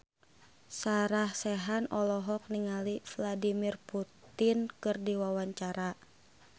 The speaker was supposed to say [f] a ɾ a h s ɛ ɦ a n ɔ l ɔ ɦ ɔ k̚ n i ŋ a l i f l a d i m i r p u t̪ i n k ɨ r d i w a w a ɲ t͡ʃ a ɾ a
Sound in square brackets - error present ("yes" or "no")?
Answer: yes